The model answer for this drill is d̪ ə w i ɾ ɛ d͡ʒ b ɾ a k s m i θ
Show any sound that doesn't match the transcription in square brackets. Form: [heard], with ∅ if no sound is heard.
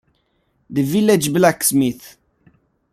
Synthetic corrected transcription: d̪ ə [v] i [l] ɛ d͡ʒ b [l] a k s m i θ